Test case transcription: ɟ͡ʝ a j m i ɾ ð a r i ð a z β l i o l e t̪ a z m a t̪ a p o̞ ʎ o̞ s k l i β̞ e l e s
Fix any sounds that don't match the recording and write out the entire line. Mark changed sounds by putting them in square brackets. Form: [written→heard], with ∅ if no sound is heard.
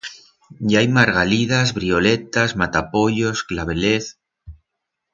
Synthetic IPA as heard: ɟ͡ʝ a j m [i→a] ɾ [ð→ɣ] a [r→l] i ð a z β [l→ɾ] i o l e t̪ a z m a t̪ a p o̞ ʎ o̞ s k l [i→a] β̞ e l e [s→θ]